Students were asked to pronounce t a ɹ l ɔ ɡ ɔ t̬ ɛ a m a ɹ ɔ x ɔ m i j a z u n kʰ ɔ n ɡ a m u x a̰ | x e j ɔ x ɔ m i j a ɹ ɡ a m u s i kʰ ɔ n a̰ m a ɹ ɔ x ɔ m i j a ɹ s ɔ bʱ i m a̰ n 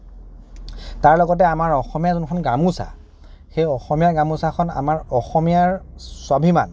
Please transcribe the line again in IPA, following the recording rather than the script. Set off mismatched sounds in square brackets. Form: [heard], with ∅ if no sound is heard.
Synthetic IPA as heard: t a ɹ l ɔ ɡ ɔ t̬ ɛ a m a ɹ ɔ x ɔ m i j a z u n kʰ ɔ n ɡ a m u [s] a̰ | x e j ɔ x ɔ m i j a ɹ ɡ a m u s [a] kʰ ɔ n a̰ m a ɹ ɔ x ɔ m i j a ɹ s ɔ bʱ i m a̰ n